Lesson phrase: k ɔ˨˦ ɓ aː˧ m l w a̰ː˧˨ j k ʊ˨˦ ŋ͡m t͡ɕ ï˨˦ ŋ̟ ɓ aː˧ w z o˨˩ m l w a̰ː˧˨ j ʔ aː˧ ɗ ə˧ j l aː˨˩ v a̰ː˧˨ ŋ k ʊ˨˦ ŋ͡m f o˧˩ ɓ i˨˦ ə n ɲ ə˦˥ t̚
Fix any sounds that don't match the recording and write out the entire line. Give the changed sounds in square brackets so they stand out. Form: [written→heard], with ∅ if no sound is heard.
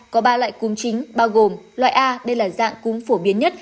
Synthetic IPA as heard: k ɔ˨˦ ɓ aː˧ [m→∅] l w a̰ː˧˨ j k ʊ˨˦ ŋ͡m t͡ɕ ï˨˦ ŋ̟ ɓ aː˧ w [z→ɣ] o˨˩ m l w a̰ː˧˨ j ʔ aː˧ ɗ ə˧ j l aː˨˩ [v→z] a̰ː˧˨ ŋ k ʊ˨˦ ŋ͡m f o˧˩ ɓ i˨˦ ə n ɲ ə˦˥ t̚